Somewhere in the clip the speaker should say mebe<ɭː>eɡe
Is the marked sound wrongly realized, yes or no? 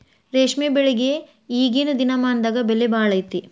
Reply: yes